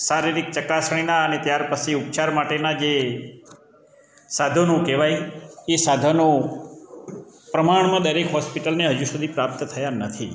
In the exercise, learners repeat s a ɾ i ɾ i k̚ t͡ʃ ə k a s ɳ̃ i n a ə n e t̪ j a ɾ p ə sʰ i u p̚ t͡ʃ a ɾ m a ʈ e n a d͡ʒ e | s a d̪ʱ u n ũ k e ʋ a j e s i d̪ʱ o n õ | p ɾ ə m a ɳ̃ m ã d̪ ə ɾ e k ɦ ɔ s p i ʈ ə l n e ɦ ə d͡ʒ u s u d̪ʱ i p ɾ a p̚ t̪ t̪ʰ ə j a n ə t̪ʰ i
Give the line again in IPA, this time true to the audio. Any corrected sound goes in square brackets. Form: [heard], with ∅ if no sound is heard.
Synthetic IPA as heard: s a ɾ i ɾ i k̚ t͡ʃ ə k a s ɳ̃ i n a ə n e t̪ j a ɾ p ə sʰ i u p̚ t͡ʃ a ɾ m a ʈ e n a d͡ʒ e | s a d̪ʱ [o] n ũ k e ʋ a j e s [a] d̪ʱ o n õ | p ɾ ə m a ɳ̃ m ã d̪ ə ɾ e k ɦ ɔ s p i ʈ ə l n e ɦ ə d͡ʒ u s u d̪ʱ i p ɾ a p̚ t̪ t̪ʰ ə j a n ə t̪ʰ i

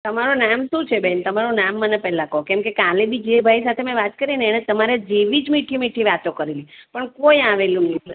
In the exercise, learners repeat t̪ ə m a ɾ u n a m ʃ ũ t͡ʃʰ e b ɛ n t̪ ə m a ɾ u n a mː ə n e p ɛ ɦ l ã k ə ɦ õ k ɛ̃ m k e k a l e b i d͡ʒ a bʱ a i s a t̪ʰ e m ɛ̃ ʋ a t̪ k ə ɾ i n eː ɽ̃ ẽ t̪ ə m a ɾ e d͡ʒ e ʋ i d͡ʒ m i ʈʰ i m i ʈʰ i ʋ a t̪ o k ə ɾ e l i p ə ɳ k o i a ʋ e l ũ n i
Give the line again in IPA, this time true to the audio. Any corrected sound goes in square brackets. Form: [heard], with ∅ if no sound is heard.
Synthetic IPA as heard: t̪ ə m a ɾ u n a m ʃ ũ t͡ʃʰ e b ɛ n t̪ ə m a ɾ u n a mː ə n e p ɛ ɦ l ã k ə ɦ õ k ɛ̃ m k e k a l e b i d͡ʒ [e] bʱ a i s a t̪ʰ e m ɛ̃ ʋ a t̪ k ə ɾ i n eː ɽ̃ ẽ t̪ ə m a ɾ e d͡ʒ e ʋ i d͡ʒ m i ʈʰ i m i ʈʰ i ʋ a t̪ o k ə ɾ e l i p ə ɳ k o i a ʋ e l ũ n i

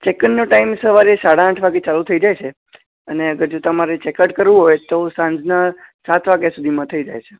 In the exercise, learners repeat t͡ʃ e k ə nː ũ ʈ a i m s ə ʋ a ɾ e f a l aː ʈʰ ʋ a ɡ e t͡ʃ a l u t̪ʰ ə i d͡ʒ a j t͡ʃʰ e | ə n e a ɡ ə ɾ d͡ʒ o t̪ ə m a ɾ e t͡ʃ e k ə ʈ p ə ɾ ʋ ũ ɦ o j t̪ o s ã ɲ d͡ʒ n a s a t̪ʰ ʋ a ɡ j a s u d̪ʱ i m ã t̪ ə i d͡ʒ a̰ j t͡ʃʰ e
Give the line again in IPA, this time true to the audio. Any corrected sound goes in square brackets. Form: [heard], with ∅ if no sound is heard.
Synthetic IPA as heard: t͡ʃ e k ə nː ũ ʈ a i m s ə ʋ a ɾ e [s] a [ɽ] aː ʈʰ ʋ a ɡ e t͡ʃ a l u t̪ʰ ə i d͡ʒ a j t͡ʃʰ e | ə n e [ə] ɡ ə ɾ d͡ʒ o t̪ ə m a ɾ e t͡ʃ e k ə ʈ [k] ə ɾ ʋ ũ ɦ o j t̪ o s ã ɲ d͡ʒ n a s a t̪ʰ ʋ a ɡ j a s u d̪ʱ i m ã [t̪ʰ] ə i d͡ʒ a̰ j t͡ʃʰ e

